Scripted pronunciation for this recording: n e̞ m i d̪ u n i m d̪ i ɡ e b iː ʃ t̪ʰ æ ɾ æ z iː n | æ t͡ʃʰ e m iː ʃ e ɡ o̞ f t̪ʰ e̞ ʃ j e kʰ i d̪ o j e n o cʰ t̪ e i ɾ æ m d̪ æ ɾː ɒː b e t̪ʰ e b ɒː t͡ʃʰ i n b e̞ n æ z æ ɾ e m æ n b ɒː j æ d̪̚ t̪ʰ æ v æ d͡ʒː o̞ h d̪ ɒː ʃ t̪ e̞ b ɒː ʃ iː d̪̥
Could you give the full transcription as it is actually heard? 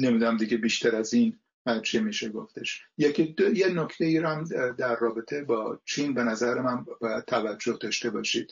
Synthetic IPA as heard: n e̞ m i d̪ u n æ m d̪ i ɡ e b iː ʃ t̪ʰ æ ɾ æ z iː n | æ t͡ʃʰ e m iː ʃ e ɡ o̞ f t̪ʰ e̞ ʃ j e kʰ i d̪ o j e n o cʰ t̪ e i ɾ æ m d̪ æ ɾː ɒː b e t̪ʰ e b ɒː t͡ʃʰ i n b e̞ n æ z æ ɾ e m æ n b ɒː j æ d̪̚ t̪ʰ æ v æ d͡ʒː o̞ h d̪ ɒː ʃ t̪ e̞ b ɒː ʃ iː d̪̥